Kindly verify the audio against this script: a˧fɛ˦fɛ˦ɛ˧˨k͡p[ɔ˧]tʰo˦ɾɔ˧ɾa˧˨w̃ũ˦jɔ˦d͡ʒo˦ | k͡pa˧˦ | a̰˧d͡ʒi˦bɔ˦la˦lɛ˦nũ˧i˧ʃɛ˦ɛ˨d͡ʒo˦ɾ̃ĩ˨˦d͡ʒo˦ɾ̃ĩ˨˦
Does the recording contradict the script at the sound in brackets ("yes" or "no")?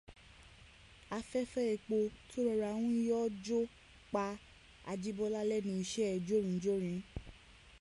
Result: yes